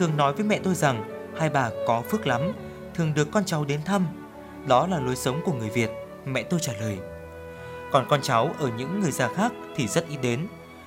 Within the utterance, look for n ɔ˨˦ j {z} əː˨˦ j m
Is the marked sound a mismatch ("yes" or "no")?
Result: yes